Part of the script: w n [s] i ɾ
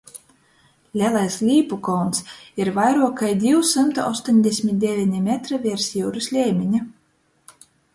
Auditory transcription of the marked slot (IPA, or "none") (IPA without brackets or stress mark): s